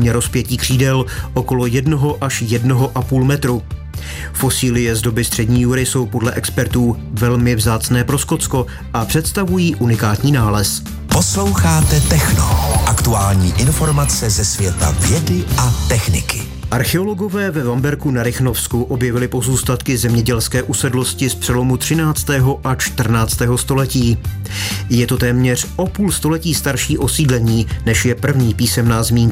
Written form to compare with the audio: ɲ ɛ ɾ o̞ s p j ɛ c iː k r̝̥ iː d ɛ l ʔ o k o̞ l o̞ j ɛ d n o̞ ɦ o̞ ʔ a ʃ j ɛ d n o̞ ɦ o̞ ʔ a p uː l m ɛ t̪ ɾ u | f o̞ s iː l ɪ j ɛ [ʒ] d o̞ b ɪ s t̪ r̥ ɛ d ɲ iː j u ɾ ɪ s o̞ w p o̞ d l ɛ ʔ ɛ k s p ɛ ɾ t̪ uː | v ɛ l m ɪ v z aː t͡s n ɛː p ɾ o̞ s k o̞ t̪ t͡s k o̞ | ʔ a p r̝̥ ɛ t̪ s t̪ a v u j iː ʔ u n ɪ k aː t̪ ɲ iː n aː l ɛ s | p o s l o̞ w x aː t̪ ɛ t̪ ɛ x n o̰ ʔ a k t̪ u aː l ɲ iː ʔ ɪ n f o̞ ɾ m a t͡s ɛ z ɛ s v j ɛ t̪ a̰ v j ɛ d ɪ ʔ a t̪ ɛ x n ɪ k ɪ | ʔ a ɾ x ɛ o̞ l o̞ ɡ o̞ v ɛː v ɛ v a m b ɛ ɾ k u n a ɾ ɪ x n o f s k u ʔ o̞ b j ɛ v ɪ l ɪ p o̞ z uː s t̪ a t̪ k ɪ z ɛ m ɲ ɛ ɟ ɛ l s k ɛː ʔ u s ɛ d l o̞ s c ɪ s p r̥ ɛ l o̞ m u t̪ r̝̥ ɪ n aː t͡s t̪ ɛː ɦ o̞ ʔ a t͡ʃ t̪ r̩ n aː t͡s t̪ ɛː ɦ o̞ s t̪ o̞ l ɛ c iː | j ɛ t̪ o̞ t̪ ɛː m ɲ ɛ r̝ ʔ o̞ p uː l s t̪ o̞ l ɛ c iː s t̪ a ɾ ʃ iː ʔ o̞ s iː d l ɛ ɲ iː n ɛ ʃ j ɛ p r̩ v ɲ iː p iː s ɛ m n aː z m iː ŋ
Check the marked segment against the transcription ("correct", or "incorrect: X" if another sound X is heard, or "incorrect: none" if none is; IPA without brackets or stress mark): incorrect: z